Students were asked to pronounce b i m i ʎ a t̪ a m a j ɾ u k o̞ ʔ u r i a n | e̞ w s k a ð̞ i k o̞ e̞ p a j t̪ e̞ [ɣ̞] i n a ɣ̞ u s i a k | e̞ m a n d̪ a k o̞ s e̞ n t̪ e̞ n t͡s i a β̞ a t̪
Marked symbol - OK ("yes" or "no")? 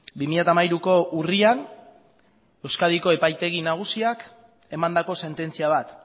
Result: yes